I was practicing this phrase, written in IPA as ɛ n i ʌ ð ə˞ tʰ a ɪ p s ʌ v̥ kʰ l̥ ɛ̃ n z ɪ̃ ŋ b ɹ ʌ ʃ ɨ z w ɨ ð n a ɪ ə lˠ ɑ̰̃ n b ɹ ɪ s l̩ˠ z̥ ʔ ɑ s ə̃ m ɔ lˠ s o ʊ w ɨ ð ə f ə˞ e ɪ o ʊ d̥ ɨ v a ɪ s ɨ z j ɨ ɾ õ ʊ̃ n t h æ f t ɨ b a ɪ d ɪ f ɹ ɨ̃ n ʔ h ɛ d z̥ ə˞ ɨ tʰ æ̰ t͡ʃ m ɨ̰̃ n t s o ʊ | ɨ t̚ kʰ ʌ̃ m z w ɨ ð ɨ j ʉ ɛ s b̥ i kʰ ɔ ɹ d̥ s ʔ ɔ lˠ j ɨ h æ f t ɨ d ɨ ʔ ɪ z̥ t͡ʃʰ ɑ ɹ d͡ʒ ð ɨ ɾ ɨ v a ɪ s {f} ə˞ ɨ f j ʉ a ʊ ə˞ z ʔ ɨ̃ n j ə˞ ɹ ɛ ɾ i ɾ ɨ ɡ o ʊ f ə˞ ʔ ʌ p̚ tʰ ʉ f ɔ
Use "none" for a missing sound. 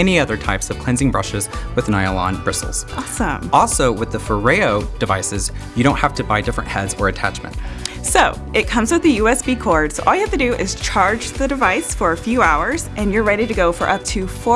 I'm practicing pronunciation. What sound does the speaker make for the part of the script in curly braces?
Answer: f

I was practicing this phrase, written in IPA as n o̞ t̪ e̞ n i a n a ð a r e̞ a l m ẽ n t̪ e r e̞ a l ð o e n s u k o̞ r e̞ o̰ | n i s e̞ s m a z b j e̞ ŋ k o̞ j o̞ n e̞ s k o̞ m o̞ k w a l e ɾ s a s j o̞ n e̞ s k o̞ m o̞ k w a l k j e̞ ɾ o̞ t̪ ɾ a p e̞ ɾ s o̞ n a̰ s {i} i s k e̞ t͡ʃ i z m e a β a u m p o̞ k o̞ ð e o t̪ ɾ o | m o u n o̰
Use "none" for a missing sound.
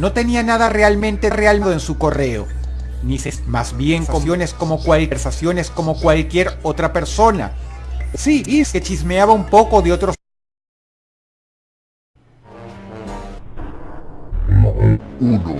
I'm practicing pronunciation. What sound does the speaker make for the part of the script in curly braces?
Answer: i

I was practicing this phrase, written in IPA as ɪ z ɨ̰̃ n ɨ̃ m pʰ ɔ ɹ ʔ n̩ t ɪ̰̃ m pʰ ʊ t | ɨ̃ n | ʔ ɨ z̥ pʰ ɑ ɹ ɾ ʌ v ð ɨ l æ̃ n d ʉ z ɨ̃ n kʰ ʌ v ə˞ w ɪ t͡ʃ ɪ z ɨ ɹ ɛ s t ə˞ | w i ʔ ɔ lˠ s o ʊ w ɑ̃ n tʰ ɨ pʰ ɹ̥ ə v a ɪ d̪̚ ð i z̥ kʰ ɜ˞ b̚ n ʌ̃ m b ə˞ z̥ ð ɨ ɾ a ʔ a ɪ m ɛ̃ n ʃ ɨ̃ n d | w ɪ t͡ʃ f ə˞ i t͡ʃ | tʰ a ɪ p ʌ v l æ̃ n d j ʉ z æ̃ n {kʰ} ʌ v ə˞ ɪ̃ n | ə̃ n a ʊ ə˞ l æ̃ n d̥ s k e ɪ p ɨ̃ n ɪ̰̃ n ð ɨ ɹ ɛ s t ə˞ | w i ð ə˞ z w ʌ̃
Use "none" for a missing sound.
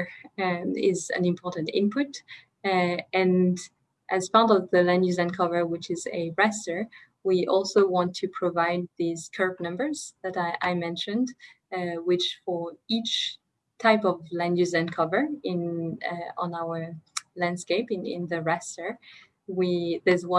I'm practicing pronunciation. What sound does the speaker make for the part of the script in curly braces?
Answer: kʰ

